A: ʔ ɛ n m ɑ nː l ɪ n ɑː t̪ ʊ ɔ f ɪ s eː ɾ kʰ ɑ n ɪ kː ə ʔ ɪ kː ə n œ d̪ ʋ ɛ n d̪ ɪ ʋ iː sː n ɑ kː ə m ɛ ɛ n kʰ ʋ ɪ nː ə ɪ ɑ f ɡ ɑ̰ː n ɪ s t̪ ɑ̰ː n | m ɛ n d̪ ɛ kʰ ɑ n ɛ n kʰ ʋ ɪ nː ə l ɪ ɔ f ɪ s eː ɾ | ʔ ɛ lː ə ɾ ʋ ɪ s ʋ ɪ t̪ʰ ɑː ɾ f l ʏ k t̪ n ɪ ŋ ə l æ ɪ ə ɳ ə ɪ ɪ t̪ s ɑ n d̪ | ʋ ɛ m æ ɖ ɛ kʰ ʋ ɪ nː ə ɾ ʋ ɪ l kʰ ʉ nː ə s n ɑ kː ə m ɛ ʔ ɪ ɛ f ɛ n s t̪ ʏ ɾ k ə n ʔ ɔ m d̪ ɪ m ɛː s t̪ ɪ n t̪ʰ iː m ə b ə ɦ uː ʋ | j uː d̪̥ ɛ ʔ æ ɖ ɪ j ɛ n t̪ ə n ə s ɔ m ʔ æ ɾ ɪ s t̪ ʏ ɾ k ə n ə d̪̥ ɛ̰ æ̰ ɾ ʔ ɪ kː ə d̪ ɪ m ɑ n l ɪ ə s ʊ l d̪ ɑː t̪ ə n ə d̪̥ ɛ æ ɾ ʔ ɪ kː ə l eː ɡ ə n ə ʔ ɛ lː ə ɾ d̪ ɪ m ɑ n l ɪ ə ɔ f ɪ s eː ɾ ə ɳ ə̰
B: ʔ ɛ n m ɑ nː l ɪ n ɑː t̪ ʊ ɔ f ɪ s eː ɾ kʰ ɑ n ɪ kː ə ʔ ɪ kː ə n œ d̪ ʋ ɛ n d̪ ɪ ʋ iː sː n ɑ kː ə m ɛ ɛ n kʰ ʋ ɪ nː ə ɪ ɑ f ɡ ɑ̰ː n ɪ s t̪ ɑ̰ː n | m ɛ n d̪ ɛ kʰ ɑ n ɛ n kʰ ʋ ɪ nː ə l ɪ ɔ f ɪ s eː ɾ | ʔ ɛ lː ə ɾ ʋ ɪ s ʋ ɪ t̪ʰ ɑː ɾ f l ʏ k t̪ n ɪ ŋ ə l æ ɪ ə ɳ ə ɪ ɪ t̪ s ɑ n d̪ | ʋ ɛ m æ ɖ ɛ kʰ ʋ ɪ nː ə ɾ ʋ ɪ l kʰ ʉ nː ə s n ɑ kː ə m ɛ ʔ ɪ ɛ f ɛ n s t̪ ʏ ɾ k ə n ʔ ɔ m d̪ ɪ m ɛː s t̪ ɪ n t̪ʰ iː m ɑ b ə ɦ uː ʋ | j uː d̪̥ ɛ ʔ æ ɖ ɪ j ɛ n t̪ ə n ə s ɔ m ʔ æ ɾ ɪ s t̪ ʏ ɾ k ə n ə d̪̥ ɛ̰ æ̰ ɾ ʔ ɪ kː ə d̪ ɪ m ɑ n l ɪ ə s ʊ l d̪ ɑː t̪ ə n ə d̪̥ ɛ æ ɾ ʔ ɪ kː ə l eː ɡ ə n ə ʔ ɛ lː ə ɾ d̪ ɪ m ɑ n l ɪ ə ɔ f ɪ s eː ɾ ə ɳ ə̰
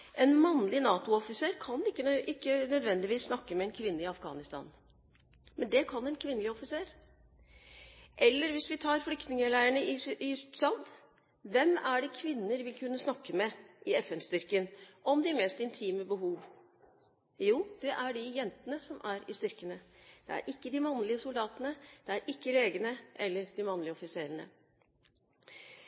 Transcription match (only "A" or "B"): A